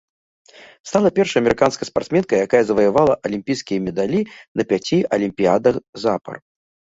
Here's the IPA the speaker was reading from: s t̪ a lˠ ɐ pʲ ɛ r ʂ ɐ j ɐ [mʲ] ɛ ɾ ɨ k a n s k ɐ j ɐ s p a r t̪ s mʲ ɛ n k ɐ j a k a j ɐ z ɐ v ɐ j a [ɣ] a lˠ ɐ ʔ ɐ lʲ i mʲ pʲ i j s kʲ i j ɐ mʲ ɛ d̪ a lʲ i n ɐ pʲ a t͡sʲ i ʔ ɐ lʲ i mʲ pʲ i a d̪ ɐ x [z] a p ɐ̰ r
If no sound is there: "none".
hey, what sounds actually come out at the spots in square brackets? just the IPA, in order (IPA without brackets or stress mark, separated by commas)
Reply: mʲ, v, z